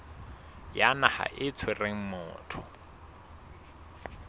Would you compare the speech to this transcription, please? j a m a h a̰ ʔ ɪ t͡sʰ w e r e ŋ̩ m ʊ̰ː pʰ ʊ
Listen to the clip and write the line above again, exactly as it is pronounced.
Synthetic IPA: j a n a h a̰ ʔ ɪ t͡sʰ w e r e ŋ̩ m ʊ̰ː tʰ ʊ